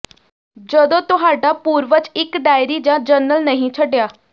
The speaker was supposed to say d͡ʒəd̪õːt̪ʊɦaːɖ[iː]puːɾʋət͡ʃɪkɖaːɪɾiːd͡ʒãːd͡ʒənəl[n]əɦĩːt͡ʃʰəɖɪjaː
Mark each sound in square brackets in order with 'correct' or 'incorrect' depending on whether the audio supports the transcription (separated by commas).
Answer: incorrect, correct